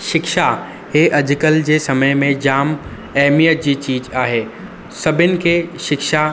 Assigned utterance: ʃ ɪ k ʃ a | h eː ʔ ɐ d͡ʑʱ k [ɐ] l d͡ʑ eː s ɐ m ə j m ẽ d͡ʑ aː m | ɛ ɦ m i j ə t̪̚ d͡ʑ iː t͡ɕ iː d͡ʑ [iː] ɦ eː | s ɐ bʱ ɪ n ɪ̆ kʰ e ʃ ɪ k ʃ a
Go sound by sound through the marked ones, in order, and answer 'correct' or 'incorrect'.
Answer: incorrect, incorrect

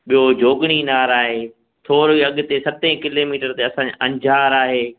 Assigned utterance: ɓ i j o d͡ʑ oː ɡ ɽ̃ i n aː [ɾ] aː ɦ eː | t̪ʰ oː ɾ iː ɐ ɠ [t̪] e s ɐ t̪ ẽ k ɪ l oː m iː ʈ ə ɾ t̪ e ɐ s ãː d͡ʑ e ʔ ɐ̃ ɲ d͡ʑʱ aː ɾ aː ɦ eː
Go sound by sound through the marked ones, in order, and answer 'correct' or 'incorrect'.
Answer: correct, correct

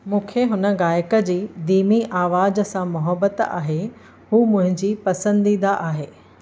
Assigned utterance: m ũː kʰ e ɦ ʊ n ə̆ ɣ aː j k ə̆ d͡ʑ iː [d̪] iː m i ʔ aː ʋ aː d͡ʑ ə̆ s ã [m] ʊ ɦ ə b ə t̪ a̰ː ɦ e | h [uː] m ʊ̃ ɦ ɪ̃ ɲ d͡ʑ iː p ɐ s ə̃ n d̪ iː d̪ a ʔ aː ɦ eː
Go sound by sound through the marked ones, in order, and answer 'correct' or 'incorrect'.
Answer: correct, correct, correct

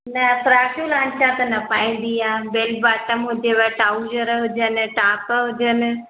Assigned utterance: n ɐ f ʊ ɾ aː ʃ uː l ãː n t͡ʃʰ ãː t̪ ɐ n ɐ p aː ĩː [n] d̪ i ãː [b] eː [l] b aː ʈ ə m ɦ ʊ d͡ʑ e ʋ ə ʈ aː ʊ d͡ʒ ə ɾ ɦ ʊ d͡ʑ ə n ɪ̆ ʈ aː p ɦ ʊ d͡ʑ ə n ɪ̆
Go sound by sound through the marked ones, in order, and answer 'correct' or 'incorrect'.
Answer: correct, correct, correct

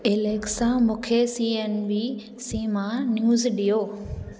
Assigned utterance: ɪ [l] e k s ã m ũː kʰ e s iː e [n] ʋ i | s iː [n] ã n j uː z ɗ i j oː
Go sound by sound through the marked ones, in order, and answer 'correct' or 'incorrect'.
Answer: correct, correct, incorrect

